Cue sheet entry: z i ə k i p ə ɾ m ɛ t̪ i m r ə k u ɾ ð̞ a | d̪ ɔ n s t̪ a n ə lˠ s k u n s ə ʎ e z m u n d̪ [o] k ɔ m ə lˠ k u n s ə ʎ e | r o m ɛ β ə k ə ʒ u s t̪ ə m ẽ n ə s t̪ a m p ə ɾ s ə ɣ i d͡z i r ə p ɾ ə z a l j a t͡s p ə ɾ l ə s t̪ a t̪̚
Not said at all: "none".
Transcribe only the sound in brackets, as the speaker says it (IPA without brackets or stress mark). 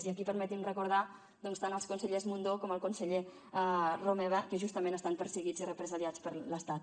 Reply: o